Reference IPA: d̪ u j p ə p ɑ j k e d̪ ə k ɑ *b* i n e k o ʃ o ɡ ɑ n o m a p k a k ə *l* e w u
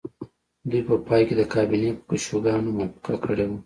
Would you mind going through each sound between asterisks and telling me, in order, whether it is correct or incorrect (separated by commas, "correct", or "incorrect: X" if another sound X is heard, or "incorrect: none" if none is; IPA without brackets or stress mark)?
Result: correct, incorrect: ɽ